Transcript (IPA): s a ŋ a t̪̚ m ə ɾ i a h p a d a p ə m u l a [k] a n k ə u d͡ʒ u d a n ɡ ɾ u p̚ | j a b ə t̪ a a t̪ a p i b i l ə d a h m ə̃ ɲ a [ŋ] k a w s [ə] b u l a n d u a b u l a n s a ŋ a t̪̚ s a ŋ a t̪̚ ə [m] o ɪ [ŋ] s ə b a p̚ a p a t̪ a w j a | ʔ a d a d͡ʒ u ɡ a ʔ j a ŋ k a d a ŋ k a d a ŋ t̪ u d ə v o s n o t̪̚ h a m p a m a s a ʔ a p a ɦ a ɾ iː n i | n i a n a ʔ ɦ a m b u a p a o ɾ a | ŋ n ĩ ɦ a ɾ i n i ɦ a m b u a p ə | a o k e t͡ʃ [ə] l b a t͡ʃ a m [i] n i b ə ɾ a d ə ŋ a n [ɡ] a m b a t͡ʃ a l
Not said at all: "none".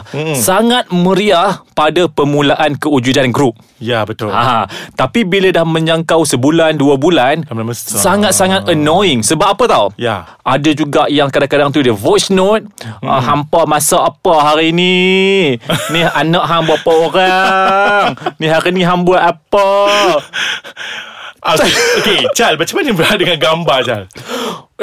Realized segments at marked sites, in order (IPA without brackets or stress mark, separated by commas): ʔ, ŋ, ə, n, ŋ, a, a, ɡ